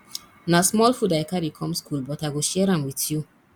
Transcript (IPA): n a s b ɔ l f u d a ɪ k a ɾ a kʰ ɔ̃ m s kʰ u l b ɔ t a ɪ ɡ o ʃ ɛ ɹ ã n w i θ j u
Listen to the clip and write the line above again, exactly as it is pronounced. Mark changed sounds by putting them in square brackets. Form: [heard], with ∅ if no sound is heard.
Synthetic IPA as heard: n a s [m] ɔ l f u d a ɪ k a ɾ [i] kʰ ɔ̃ m s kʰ u l b ɔ t a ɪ ɡ o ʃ ɛ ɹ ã [m] w i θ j u